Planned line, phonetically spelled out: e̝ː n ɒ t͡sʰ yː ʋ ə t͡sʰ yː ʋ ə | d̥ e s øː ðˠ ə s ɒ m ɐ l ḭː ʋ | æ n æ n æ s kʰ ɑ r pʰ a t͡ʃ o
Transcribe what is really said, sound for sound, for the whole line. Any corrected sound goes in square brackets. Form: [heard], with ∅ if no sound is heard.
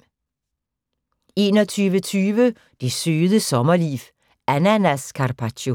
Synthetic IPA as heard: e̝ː n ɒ t͡sʰ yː ʋ ə t͡sʰ yː ʋ ə | d̥ e s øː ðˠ ə s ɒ m ɐ l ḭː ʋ | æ n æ n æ s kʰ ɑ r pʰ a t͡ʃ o